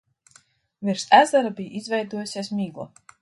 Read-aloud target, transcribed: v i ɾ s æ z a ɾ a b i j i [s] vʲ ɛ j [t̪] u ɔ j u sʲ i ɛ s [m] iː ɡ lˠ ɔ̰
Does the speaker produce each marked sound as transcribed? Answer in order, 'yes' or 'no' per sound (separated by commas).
no, no, yes